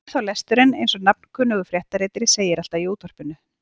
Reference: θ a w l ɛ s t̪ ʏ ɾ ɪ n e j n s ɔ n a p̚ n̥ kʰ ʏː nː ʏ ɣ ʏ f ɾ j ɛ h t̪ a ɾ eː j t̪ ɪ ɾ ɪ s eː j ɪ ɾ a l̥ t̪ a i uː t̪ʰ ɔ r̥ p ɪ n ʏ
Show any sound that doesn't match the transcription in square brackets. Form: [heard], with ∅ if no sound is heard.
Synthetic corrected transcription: θ a w l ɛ s t̪ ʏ ɾ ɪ n e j n s ɔ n a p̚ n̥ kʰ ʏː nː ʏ ɣ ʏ f ɾ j ɛ h t̪ a ɾ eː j t̪ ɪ ɾ ɪ s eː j ɪ ɾ a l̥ t̪ a i uː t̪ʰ ɔ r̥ p ɪ n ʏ